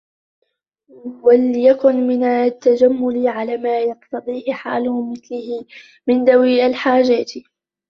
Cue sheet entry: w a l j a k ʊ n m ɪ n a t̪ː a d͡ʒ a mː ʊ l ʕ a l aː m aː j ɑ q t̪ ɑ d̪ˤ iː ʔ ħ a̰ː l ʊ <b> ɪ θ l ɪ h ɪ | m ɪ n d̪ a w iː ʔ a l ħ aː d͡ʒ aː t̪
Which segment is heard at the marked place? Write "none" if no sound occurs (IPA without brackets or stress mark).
m